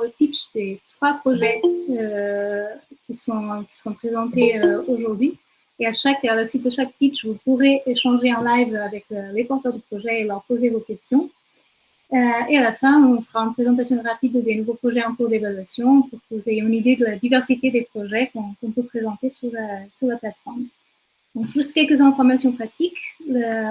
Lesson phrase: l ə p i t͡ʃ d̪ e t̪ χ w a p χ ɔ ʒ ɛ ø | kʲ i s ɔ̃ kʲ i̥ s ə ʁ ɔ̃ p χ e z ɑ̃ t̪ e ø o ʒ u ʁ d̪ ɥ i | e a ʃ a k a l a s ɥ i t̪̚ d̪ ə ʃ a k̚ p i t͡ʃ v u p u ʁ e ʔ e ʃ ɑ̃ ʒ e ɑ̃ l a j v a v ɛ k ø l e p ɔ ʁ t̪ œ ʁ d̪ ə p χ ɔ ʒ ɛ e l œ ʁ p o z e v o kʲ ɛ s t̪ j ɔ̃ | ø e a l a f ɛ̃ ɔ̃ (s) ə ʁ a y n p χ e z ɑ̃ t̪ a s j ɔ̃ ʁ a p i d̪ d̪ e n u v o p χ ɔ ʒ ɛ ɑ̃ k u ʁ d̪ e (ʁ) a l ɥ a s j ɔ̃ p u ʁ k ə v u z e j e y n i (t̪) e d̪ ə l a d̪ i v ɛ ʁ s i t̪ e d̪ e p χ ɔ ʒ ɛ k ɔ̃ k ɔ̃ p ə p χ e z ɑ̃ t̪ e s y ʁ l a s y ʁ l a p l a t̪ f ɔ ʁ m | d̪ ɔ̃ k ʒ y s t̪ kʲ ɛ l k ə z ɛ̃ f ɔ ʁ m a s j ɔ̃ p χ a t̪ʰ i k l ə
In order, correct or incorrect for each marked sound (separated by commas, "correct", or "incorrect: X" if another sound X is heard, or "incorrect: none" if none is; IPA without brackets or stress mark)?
incorrect: f, incorrect: v, incorrect: d̪